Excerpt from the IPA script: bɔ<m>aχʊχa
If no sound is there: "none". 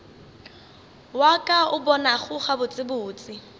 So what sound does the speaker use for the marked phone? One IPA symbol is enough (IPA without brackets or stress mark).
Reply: n